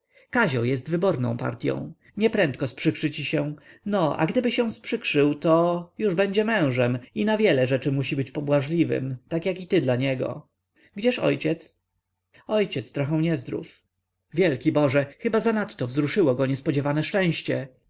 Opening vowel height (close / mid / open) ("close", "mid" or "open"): open